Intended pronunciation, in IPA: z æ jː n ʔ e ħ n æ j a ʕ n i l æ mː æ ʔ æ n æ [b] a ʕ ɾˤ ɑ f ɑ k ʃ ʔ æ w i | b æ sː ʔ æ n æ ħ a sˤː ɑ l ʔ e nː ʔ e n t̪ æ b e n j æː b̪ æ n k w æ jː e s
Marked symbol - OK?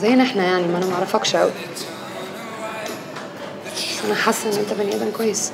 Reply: no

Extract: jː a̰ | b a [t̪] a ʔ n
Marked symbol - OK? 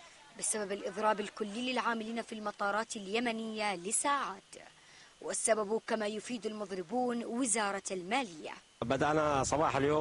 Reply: no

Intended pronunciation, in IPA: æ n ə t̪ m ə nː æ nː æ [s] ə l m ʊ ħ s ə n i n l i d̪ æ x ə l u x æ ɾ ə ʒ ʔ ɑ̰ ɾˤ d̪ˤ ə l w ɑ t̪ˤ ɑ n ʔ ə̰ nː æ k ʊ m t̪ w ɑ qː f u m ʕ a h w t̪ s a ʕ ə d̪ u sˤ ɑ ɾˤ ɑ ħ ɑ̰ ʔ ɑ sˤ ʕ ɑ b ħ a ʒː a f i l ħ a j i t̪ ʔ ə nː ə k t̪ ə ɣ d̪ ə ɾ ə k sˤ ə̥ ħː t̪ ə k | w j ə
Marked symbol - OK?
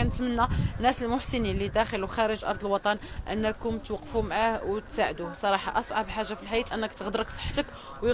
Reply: yes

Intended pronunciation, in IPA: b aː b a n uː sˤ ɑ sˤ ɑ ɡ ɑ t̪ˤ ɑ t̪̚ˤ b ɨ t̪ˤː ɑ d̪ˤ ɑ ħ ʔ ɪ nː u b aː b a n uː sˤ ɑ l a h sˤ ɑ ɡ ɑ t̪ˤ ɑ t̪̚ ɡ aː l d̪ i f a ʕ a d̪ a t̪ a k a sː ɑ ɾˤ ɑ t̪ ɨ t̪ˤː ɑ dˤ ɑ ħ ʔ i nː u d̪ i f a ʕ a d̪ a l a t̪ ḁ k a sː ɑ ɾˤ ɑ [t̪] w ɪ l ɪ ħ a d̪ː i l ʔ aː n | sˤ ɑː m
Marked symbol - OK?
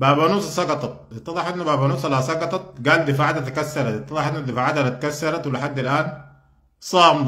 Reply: yes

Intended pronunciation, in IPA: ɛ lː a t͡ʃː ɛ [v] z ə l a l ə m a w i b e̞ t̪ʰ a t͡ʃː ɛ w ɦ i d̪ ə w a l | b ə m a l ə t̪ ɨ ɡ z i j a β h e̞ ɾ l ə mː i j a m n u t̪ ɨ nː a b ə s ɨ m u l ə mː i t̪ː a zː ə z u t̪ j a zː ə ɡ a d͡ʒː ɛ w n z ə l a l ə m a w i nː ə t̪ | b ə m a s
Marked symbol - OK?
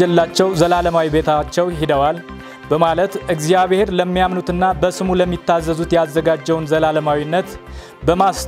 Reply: no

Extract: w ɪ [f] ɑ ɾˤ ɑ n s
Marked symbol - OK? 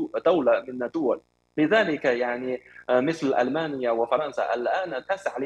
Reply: yes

